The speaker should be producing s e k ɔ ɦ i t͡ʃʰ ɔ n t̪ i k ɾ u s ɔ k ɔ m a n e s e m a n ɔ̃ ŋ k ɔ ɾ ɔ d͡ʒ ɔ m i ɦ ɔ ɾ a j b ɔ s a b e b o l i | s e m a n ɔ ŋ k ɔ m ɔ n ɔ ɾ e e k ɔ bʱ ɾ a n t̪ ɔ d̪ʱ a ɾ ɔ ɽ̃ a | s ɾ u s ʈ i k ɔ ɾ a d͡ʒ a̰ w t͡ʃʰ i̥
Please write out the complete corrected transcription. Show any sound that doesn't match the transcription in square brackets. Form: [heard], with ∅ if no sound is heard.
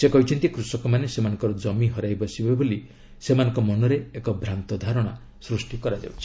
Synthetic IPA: s e k ɔ ɦ i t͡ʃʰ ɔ n t̪ i k ɾ u s ɔ k ɔ m a n e s e m a n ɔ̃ ŋ k ɔ ɾ ɔ d͡ʒ ɔ m i ɦ ɔ ɾ a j b ɔ s [i] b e b o l i | s e m a n ɔ ŋ k ɔ m ɔ n ɔ ɾ e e k ɔ bʱ ɾ a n t̪ ɔ d̪ʱ a ɾ ɔ ɽ̃ a | s ɾ u s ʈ i k ɔ ɾ a d͡ʒ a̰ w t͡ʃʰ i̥